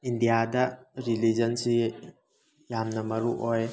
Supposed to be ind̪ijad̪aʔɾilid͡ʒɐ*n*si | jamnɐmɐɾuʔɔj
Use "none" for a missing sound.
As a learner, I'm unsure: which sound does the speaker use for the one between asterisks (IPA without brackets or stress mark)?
n